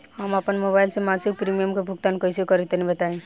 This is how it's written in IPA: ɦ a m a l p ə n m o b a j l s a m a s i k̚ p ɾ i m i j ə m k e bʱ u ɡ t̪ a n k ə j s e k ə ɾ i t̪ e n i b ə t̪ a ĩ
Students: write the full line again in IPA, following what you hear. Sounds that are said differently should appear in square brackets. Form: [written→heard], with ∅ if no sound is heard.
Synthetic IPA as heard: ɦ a m a [l→∅] p ə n m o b a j l s [a→e] m a s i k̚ p ɾ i m i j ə m k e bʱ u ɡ t̪ a n k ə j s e k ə ɾ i t̪ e n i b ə t̪ a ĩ